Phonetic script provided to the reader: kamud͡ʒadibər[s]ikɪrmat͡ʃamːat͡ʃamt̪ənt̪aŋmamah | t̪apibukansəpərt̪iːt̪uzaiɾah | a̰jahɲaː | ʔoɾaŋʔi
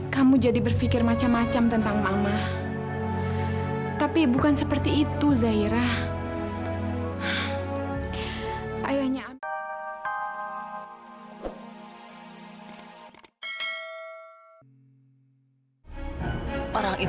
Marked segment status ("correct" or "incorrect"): incorrect